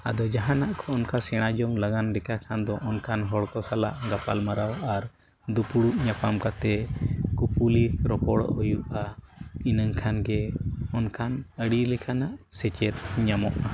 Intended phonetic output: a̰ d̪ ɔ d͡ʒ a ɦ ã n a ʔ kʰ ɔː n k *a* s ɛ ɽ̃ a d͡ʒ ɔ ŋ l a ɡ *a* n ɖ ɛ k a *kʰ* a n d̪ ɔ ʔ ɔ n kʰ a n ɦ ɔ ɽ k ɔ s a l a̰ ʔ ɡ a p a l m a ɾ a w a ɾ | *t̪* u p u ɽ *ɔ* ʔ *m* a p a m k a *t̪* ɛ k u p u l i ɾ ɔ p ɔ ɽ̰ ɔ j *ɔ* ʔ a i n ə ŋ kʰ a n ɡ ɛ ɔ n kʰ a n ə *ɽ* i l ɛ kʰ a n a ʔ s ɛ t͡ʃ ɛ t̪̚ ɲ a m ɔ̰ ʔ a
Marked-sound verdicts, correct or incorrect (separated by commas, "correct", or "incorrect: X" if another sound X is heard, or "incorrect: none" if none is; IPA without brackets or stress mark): correct, correct, correct, incorrect: d̪, incorrect: u, incorrect: ɲ, correct, incorrect: u, correct